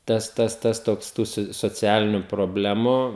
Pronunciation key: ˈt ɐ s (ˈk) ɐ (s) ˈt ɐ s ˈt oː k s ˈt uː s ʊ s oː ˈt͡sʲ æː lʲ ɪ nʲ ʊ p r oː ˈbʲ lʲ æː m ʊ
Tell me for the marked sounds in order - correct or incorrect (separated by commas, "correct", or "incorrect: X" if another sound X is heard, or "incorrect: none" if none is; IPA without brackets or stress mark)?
incorrect: t, correct